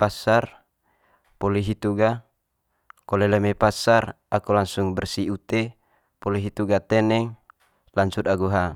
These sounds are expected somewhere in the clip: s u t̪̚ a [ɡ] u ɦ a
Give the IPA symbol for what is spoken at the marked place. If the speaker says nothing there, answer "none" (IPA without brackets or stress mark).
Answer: ɡ